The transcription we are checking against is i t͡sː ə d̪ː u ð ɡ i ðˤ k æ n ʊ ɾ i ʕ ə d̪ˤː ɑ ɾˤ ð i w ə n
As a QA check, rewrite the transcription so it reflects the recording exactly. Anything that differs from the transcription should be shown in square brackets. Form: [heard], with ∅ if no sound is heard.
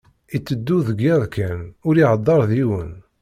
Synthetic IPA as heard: i t͡sː ə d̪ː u ð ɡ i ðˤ k æ n ʊ ɾ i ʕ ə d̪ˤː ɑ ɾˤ ð i w ə n